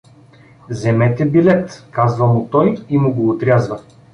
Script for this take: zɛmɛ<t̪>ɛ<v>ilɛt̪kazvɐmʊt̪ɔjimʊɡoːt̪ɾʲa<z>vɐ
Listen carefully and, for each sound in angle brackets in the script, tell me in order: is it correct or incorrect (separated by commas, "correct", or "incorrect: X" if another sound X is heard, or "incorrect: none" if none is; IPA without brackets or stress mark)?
correct, incorrect: b, correct